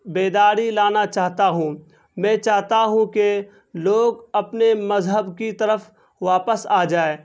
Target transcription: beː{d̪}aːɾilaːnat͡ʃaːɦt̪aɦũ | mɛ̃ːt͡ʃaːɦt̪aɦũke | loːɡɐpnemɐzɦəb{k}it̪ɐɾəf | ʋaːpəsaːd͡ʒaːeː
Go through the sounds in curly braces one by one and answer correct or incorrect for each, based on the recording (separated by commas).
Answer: correct, correct